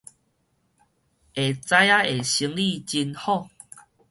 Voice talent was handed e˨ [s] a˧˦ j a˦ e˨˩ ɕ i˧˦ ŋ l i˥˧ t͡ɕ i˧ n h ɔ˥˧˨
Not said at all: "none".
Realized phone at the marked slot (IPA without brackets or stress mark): t͡s